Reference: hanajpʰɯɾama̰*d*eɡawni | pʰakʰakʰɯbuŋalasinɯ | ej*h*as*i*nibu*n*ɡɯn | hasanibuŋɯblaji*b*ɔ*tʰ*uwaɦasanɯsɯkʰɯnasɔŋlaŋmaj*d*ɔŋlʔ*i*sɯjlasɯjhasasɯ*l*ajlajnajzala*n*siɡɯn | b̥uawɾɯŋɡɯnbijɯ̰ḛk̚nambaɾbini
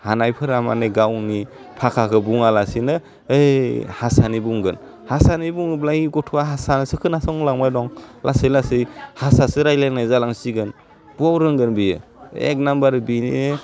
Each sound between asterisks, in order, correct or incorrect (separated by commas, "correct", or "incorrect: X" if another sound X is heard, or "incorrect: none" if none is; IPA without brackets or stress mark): incorrect: n, correct, incorrect: a, incorrect: ŋ, incorrect: ɡ, correct, correct, incorrect: a, incorrect: ɾ, incorrect: ŋ